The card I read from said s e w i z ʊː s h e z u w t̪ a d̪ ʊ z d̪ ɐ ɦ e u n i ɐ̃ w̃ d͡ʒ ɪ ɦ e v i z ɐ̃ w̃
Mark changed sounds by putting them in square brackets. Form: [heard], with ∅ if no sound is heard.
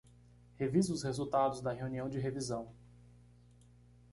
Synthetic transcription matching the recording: [h] e [v] i z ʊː s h e z u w t̪ a d̪ ʊ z d̪ ɐ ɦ e u n i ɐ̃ w̃ d͡ʒ ɪ ɦ e v i z ɐ̃ w̃